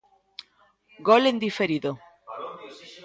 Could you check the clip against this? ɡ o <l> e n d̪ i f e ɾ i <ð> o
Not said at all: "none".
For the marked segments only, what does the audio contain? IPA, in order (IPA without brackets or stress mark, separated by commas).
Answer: l, ð